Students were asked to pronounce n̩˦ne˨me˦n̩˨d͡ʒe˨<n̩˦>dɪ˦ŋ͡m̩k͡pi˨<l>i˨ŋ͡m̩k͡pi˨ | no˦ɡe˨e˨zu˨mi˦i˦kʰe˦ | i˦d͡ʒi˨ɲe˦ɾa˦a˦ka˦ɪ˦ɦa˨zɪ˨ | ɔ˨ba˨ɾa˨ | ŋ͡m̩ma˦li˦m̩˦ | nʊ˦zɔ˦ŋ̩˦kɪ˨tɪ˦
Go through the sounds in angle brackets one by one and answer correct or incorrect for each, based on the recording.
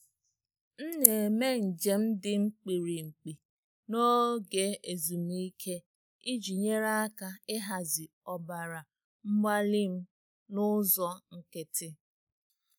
incorrect: m̩˦, incorrect: ɾ

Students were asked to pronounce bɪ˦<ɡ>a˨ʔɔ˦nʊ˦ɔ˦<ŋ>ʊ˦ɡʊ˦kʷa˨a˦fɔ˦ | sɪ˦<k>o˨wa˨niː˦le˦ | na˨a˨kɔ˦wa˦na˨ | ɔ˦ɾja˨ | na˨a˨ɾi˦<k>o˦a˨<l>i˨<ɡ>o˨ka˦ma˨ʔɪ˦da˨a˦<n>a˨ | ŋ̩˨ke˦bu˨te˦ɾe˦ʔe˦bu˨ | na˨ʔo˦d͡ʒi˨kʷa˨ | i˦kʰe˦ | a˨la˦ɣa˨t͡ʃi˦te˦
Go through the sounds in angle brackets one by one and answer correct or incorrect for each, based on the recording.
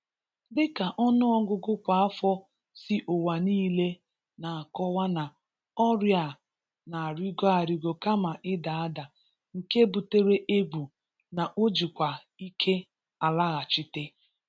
incorrect: k, incorrect: ɡ, incorrect: ʔ, incorrect: ɡ, incorrect: ɾ, correct, incorrect: d

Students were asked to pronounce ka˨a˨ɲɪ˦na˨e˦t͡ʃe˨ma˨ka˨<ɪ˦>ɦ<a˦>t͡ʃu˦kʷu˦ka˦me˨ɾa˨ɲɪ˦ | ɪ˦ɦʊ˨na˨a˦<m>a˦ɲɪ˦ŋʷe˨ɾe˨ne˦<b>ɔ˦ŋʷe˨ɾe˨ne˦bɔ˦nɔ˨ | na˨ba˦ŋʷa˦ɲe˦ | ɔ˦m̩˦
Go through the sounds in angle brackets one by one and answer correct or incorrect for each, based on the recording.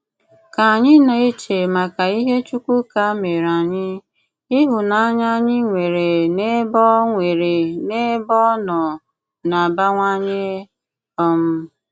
incorrect: i˦, incorrect: e˦, incorrect: ɲ, correct

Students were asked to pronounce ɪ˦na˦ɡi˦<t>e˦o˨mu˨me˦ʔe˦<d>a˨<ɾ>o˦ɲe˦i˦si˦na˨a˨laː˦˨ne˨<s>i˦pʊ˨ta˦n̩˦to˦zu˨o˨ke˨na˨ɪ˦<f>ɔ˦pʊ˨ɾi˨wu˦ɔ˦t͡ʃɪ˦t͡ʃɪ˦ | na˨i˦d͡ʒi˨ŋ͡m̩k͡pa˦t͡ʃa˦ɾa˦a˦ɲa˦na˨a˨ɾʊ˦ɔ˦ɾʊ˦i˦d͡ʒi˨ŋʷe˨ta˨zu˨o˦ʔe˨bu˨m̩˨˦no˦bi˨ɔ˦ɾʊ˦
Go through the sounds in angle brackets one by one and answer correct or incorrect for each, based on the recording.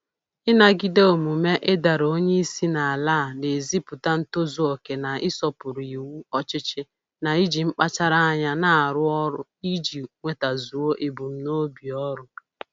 incorrect: d, correct, correct, incorrect: z, incorrect: s

